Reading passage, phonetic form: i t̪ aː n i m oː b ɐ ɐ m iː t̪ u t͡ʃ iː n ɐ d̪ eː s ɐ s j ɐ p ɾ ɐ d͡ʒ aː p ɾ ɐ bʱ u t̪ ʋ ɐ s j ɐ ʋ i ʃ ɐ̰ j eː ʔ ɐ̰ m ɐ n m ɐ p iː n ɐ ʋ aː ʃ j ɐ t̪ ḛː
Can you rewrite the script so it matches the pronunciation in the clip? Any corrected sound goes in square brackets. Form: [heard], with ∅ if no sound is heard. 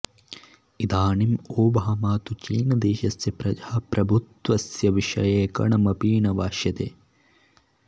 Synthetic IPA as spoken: i [d̪] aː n i m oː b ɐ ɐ m [aː] t̪ u t͡ʃ iː n ɐ d̪ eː [ʃ] ɐ s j ɐ p ɾ ɐ d͡ʒ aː p ɾ ɐ bʱ u t̪ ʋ ɐ s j ɐ ʋ i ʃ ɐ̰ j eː [k] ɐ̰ [ɳ] ɐ [∅] m ɐ p iː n ɐ ʋ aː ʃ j ɐ t̪ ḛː

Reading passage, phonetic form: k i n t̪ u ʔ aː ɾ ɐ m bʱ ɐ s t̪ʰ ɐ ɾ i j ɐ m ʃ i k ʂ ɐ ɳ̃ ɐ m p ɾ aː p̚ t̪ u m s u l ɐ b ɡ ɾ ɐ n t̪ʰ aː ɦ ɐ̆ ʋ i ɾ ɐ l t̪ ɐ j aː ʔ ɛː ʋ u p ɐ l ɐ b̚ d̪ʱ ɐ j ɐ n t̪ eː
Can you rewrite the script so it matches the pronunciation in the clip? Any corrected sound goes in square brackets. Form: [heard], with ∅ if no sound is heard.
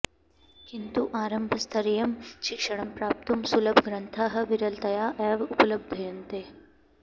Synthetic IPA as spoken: k i n t̪ u ʔ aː ɾ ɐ m bʱ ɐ s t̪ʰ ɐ ɾ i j ɐ m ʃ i k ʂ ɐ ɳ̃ ɐ m p ɾ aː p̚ t̪ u m s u l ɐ b ɡ ɾ ɐ n t̪ʰ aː ɦ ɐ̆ ʋ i ɾ ɐ l t̪ ɐ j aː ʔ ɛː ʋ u p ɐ l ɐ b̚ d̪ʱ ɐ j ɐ n t̪ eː

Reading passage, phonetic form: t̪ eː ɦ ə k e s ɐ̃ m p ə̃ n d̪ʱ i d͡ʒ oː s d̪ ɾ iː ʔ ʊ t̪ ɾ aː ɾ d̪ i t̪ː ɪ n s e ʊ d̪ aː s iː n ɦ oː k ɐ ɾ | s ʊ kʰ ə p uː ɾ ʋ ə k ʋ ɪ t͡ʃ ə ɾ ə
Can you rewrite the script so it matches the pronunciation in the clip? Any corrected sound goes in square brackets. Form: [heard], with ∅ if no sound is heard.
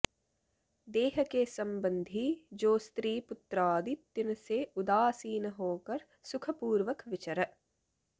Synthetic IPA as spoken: [d̪] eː ɦ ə k e s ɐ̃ m [b] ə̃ n d̪ʱ i d͡ʒ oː s [t̪] ɾ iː [p] ʊ t̪ ɾ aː [∅] d̪ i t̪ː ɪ n s e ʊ d̪ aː s iː n ɦ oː k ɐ ɾ | s ʊ kʰ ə p uː ɾ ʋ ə k ʋ ɪ t͡ʃ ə ɾ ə

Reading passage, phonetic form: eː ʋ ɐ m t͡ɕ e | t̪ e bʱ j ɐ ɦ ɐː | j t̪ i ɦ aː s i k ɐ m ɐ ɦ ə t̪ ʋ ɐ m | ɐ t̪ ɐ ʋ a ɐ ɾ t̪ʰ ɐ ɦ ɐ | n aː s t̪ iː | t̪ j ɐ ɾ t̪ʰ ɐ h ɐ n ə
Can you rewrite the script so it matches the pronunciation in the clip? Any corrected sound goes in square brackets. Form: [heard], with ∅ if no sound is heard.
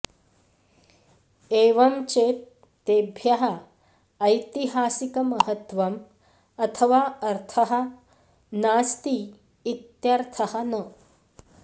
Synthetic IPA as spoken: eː ʋ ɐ m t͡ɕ e | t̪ e bʱ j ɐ ɦ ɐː | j t̪ i ɦ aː s i k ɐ m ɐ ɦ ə t̪ ʋ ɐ m | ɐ [t̪ʰ] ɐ ʋ a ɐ ɾ t̪ʰ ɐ ɦ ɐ | n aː s t̪ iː | t̪ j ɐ ɾ t̪ʰ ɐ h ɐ n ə

